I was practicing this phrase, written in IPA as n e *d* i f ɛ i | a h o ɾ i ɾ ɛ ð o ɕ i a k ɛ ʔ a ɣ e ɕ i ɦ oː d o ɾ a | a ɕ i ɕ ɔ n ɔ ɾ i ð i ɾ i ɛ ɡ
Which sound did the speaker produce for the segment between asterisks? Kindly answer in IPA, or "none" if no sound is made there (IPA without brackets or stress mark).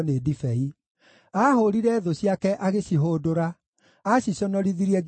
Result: d